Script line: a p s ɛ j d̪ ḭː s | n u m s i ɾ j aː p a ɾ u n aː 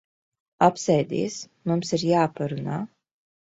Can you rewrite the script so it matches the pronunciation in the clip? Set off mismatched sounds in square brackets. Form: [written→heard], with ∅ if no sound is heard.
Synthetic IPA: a p s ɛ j d̪ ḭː s | [n→m] u m s i ɾ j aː p a ɾ u n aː